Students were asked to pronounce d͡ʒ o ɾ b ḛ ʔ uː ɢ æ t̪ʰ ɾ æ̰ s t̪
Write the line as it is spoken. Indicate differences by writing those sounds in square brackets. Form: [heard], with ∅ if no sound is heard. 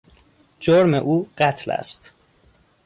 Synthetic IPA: d͡ʒ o ɾ [m] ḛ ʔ uː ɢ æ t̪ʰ [l] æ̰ s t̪